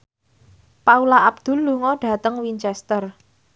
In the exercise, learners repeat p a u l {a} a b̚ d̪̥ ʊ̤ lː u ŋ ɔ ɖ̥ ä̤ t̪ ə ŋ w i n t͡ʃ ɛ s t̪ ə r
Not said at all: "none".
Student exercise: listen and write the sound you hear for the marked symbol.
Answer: a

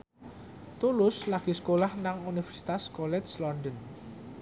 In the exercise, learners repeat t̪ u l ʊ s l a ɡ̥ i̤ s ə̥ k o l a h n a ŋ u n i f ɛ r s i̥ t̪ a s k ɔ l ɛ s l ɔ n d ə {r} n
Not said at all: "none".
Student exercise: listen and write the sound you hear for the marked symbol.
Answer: none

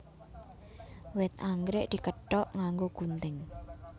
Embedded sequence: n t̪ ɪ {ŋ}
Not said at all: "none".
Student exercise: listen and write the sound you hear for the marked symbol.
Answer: ŋ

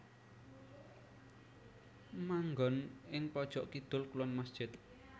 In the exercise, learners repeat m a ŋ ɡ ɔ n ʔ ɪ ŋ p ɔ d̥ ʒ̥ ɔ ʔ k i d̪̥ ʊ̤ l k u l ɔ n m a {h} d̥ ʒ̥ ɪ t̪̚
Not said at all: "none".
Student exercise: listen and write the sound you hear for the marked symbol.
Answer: s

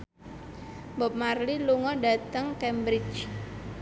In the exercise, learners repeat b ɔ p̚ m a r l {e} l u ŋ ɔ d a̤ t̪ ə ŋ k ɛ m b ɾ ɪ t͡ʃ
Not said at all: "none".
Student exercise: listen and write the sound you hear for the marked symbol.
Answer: i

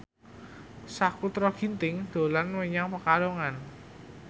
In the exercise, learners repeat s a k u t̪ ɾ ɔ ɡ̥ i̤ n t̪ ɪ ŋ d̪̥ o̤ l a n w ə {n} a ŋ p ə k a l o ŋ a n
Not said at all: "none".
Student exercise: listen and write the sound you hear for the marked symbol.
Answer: ɲ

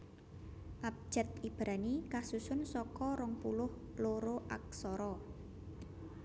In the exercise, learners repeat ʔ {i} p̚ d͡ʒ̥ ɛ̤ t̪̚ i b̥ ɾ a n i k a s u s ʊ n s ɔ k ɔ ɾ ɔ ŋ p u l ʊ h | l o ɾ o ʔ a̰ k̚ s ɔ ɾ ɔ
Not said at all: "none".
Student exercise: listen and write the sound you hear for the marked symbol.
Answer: a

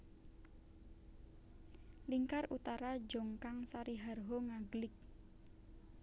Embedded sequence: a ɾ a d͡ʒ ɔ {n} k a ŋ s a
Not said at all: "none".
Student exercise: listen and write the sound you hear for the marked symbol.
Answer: ŋ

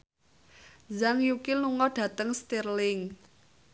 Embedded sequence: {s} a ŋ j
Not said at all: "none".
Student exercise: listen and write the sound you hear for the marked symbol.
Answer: z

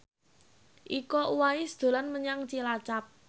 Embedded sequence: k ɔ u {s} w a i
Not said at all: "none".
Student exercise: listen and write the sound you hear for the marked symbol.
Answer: none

